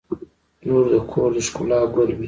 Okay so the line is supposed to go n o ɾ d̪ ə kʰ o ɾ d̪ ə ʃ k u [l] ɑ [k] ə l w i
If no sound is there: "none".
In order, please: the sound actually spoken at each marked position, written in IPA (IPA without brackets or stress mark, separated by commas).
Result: l, ɡ